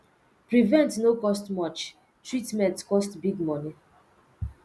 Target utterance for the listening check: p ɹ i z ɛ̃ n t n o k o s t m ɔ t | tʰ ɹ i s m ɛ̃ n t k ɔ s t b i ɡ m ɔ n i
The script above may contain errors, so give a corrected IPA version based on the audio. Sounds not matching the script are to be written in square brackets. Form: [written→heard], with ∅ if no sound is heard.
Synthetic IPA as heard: p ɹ i [z→v] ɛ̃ n t n o k [o→ɔ] s t m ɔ [t→t͡ʃ] | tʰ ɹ i [s→t] m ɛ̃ n t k ɔ s t b i ɡ m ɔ n i